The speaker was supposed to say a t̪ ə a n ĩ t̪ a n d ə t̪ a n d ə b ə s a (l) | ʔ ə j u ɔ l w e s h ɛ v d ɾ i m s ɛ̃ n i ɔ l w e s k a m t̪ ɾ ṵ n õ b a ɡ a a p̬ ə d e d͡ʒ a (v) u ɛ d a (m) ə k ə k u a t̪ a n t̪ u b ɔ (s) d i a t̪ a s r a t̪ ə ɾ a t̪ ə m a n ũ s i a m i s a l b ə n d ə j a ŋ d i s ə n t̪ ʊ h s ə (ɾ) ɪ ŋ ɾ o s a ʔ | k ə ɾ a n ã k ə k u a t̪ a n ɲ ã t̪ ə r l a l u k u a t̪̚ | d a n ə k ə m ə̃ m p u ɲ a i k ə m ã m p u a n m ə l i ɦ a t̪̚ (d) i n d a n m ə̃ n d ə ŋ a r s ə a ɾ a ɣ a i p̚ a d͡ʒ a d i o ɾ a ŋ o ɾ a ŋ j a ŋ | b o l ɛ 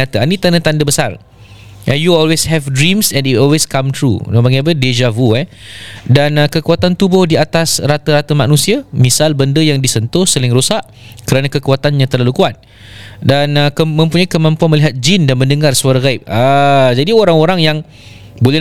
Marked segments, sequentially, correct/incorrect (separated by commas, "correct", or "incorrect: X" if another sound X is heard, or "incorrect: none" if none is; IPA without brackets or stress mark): incorrect: r, correct, incorrect: n, incorrect: h, incorrect: l, incorrect: d͡ʒ